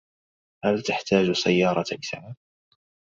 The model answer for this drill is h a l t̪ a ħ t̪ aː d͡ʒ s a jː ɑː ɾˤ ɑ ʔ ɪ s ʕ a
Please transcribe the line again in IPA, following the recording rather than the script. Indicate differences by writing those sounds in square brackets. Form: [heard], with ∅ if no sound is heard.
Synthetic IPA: h a l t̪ a ħ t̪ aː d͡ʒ s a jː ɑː ɾˤ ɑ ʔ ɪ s ʕ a